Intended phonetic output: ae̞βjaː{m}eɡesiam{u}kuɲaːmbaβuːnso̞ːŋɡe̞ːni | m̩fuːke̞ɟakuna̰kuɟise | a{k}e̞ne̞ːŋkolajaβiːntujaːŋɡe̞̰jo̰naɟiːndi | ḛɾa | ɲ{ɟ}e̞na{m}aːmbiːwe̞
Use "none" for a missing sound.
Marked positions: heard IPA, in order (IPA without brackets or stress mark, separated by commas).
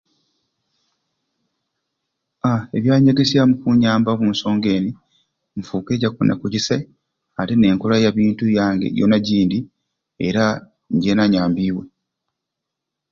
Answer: ɲ, u, t, ɟ, ɲ